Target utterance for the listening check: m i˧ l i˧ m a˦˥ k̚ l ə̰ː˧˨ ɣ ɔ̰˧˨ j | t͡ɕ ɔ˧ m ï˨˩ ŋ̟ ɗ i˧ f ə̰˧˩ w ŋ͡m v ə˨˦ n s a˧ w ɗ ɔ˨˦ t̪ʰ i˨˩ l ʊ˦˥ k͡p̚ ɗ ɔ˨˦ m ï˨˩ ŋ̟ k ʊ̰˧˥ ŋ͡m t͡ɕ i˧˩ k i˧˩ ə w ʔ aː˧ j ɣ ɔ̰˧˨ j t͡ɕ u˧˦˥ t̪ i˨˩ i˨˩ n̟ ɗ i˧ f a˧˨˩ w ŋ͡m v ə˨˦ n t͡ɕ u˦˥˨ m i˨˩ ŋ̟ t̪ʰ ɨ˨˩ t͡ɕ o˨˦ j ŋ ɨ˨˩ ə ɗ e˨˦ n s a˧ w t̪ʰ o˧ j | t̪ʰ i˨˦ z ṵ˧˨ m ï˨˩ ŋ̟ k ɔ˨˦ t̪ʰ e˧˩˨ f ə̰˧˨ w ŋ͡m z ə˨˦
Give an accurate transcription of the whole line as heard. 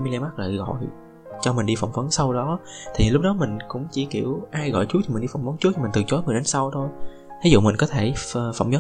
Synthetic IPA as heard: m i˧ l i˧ m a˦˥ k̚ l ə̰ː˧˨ ɣ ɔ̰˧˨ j | t͡ɕ ɔ˧ m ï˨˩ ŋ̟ ɗ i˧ f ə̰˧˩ w ŋ͡m v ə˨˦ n s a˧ w ɗ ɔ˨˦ t̪ʰ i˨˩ l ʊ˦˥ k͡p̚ ɗ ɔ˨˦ m ï˨˩ ŋ̟ k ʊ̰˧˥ ŋ͡m t͡ɕ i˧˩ k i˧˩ ə w ʔ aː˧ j ɣ ɔ̰˧˨ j t͡ɕ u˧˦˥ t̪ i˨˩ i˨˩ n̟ ɗ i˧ f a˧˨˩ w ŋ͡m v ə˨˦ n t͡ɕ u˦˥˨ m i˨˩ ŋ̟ t̪ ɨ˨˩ t͡ɕ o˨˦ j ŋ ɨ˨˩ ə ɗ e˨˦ n s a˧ w t̪ʰ o˧ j | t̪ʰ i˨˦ z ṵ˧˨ m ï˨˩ ŋ̟ k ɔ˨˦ t̪ʰ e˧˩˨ f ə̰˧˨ w ŋ͡m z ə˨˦